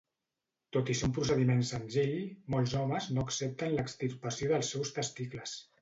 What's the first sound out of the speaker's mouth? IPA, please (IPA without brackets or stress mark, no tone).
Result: t̪